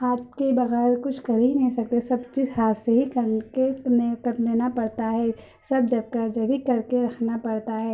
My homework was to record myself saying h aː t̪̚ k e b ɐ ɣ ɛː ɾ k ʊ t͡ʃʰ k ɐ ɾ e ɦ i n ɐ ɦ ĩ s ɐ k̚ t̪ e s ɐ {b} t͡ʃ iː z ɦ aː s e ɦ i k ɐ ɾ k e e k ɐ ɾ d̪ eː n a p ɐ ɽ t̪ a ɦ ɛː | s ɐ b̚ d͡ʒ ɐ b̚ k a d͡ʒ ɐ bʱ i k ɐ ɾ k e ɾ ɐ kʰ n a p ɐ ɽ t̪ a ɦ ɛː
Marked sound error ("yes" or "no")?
no